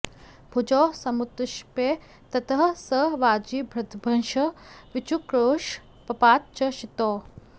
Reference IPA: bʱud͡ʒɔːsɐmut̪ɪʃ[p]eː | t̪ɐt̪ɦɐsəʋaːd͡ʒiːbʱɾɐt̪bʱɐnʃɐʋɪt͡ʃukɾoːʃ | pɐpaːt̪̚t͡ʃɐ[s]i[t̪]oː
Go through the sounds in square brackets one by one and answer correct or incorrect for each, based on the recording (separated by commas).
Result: correct, incorrect, correct